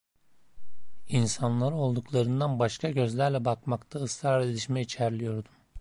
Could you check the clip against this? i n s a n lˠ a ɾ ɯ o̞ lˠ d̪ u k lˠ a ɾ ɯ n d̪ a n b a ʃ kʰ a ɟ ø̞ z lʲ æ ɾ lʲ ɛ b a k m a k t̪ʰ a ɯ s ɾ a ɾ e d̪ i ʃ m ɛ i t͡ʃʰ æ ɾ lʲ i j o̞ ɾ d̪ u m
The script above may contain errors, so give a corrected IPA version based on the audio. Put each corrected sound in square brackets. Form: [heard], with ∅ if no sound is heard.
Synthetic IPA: i n s a n lˠ a ɾ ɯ o̞ lˠ d̪ u k lˠ a ɾ ɯ n d̪ a n b a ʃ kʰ a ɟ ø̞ z lʲ æ ɾ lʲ ɛ b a k m a k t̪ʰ a ɯ s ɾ a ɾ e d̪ i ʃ m ɛ i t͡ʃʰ æ ɾ lʲ i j o̞ ɾ d̪ u m